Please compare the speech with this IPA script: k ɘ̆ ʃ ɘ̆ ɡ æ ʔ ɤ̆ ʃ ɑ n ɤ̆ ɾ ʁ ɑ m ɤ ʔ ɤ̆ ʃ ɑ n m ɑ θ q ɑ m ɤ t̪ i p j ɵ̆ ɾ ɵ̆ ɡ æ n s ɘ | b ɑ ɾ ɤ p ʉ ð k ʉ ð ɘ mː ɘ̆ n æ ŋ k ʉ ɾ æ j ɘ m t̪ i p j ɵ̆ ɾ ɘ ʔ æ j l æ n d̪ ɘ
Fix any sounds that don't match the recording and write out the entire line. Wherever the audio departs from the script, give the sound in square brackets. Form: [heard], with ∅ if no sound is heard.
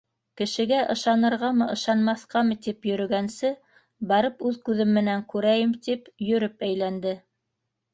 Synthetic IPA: k ɘ̆ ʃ ɘ̆ ɡ æ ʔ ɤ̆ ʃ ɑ n ɤ̆ ɾ ʁ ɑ m ɤ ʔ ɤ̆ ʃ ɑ n m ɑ θ q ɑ m ɤ t̪ i p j ɵ̆ ɾ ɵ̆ ɡ æ n s ɘ | b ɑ ɾ ɤ p ʉ ð k ʉ ð ɘ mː ɘ̆ n æ ŋ k ʉ ɾ æ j ɘ m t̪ i p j ɵ̆ ɾ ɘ [p] æ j l æ n d̪ ɘ